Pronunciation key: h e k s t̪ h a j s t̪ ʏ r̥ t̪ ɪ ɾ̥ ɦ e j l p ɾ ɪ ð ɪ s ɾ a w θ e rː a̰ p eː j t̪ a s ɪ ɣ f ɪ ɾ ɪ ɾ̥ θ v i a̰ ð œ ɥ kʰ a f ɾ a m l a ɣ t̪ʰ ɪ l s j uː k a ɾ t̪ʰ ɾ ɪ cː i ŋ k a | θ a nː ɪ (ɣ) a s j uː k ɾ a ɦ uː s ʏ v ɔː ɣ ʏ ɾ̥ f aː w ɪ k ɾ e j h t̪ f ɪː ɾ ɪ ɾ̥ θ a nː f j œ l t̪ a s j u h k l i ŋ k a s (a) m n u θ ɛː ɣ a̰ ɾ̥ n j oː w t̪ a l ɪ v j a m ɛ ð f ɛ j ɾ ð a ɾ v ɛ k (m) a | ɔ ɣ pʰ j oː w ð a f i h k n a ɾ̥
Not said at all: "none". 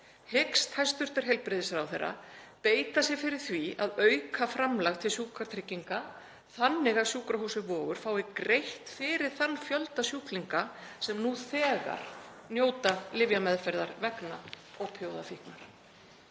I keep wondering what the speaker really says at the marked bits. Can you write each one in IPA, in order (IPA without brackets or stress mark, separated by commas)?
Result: ɣ, ɛ, n